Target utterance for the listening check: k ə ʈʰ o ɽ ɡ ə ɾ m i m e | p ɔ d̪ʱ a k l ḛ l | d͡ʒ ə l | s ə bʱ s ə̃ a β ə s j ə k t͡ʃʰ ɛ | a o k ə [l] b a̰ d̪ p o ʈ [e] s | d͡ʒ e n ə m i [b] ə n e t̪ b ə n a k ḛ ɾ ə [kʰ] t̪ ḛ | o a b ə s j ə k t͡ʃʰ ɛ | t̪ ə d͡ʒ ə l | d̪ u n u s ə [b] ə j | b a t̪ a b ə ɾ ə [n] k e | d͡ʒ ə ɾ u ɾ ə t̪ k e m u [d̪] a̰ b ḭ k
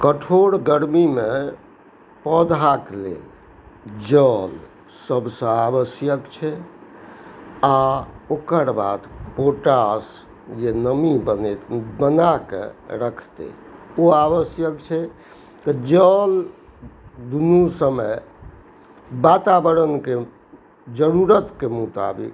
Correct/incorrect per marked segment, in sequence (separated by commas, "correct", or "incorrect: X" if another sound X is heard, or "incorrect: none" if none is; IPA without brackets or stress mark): incorrect: ɾ, incorrect: a, correct, correct, incorrect: m, correct, incorrect: t̪